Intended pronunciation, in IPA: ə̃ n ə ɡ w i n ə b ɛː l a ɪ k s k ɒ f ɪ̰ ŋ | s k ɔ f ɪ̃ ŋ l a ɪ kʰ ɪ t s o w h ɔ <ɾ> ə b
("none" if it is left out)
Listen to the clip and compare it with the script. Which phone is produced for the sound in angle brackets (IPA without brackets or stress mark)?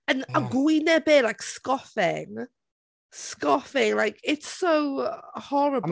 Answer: ɹ